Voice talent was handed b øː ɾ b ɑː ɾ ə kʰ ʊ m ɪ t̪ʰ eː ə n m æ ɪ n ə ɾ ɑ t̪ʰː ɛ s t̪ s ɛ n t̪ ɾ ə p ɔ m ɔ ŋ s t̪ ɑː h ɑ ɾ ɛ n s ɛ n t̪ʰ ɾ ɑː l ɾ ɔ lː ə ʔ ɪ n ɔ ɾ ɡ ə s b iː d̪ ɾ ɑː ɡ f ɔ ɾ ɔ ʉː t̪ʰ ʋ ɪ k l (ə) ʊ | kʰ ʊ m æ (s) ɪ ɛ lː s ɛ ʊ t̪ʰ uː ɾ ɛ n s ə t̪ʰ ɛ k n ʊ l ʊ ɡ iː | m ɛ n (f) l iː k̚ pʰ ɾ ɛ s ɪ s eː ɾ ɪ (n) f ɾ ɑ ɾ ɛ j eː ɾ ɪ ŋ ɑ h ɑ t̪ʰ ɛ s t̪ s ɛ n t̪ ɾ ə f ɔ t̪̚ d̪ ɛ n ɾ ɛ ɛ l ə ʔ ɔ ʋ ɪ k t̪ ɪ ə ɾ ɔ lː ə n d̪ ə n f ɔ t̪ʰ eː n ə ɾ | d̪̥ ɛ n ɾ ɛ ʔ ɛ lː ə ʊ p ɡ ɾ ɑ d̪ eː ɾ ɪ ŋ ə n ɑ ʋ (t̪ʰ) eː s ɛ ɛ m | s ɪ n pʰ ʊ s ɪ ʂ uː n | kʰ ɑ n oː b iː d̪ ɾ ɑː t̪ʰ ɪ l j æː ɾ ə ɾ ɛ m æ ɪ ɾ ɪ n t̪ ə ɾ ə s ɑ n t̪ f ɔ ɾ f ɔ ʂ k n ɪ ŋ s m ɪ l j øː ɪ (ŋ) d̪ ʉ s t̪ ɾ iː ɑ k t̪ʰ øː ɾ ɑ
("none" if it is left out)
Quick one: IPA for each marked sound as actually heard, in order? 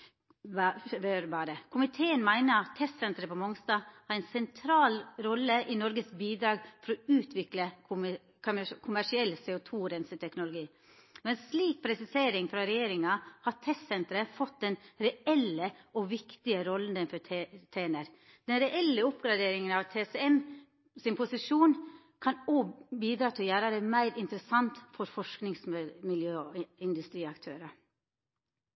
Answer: ə, ʂ, s, ŋ, t̪ʰ, n

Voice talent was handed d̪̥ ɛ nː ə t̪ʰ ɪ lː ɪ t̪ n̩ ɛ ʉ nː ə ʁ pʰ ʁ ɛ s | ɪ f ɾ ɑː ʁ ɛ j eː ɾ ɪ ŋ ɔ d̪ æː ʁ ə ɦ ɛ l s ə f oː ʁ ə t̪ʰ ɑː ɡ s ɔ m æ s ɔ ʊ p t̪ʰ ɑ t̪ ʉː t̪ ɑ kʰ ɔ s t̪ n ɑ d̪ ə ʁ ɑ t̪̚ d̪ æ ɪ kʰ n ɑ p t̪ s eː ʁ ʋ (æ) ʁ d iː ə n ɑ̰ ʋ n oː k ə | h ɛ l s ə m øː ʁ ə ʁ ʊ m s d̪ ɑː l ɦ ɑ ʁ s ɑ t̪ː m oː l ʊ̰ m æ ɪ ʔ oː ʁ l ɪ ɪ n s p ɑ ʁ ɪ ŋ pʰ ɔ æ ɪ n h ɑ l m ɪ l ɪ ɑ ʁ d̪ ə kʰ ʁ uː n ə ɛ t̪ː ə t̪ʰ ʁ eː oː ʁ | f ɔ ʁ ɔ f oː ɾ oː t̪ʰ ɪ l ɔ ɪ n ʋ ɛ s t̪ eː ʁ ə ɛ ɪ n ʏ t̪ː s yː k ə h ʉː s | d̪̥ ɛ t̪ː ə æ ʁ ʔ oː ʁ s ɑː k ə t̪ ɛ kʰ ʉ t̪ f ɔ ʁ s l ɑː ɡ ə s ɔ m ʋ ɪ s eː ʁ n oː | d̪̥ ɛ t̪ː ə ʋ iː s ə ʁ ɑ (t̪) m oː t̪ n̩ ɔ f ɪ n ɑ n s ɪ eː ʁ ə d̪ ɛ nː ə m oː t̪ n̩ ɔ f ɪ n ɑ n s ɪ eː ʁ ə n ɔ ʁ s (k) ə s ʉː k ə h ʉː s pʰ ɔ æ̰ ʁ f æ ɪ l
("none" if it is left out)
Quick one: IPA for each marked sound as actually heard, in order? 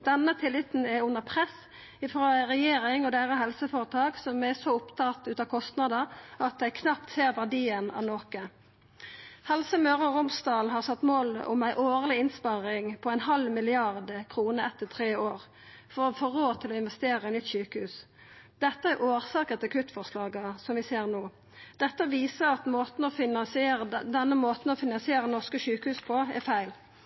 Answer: æ, t̪, k

